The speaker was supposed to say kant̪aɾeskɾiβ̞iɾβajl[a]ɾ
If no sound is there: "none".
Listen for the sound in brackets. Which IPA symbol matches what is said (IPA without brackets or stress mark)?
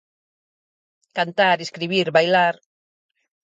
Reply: a